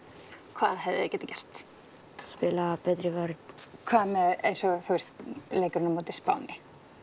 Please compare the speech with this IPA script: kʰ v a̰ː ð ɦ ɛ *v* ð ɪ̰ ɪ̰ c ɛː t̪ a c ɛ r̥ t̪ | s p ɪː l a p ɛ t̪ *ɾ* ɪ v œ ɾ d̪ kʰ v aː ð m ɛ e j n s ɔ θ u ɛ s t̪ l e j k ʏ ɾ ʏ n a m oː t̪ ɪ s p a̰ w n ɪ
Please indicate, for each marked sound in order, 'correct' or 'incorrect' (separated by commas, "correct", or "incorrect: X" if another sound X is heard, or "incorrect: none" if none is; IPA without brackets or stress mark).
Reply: correct, correct